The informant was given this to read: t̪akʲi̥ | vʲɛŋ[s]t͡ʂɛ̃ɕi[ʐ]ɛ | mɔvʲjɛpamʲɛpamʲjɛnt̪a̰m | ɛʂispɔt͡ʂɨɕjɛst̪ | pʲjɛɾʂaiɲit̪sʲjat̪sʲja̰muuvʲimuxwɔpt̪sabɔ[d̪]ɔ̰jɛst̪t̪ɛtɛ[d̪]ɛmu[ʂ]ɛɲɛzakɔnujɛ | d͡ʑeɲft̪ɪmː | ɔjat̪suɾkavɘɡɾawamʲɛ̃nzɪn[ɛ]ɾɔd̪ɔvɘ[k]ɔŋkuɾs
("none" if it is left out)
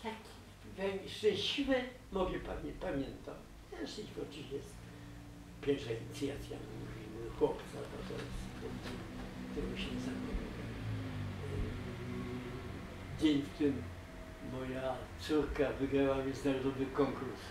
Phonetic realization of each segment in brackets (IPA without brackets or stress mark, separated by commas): ʂ, v, t̪, t̪, ɕ, a, k